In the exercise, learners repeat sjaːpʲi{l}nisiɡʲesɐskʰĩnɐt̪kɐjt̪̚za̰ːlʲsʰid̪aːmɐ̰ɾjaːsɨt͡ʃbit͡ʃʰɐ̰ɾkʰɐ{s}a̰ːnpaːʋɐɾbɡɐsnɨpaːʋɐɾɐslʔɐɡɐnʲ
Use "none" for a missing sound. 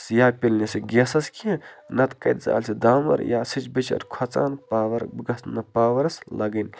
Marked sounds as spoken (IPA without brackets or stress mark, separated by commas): l, t͡s